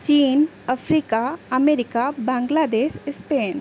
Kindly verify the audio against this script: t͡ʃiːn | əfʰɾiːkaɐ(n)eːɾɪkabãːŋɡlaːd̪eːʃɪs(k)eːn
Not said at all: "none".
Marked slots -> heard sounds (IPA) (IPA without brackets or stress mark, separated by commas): m, p